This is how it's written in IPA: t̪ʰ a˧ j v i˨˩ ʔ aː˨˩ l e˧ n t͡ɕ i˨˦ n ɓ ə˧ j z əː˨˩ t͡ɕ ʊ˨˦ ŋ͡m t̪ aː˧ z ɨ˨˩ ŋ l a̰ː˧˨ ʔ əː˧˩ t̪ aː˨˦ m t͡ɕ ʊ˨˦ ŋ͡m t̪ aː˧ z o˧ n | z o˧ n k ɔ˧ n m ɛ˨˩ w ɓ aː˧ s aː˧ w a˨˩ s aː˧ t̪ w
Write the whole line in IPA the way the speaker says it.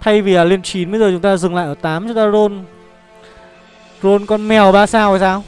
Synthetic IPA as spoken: t̪ʰ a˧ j v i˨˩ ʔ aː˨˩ l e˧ n t͡ɕ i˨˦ n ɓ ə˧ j z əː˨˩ t͡ɕ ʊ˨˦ ŋ͡m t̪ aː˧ z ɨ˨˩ ŋ l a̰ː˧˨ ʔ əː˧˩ t̪ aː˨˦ m t͡ɕ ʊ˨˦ ŋ͡m t̪ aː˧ z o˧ n | z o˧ n k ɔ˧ n m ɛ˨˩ w ɓ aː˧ s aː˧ w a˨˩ s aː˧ w